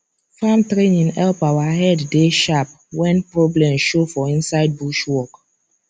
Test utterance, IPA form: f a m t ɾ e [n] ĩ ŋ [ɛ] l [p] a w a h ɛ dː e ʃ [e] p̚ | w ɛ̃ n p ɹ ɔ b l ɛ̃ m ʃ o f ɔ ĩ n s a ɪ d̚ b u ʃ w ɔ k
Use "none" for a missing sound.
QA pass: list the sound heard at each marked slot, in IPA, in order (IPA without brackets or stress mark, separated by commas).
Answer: n, ɛ, p, a